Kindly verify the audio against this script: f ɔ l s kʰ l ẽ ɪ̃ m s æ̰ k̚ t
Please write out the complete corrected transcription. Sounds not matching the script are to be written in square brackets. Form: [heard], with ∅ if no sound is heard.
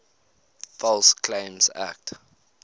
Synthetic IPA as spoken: f ɔ l s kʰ l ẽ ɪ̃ m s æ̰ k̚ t